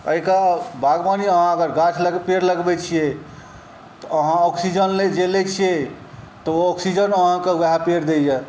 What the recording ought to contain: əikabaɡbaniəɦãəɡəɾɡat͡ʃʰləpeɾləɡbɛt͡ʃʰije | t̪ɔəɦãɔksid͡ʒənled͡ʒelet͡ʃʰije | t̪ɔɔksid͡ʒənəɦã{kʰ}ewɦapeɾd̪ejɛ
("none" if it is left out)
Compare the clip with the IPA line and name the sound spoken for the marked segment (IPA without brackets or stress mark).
k